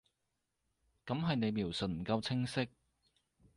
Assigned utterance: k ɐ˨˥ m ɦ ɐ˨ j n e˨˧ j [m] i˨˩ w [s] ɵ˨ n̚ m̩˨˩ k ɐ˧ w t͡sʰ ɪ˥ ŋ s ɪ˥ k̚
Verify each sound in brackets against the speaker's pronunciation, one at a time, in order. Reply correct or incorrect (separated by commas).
correct, correct